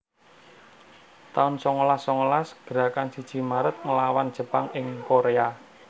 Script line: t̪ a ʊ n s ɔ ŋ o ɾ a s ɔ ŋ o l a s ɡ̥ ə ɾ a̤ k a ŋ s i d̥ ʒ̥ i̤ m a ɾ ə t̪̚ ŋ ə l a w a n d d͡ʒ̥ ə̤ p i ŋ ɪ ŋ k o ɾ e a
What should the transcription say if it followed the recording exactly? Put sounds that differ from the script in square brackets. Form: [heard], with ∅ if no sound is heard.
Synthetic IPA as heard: t̪ a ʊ n s ɔ ŋ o [l] a s ɔ ŋ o l a s ɡ̥ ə ɾ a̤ k a [n] s i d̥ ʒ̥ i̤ m a ɾ ə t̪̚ ŋ ə l a w a n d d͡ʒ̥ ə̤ p [a] ŋ ɪ ŋ k o ɾ e a